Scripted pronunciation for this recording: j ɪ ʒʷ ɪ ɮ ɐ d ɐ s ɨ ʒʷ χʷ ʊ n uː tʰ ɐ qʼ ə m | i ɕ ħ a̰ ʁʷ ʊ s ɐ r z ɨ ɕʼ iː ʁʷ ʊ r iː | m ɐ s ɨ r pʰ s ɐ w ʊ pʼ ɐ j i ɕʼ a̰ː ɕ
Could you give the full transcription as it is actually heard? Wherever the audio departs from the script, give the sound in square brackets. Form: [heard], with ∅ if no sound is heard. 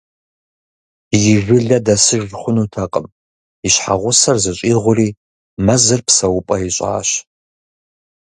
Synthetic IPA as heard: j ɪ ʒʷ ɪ ɮ ɐ d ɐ s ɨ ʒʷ χʷ ʊ n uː tʰ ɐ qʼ ə m | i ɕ ħ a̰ ʁʷ ʊ s ɐ r z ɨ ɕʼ iː ʁʷ ʊ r iː | m ɐ [z] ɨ r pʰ s ɐ w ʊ pʼ ɐ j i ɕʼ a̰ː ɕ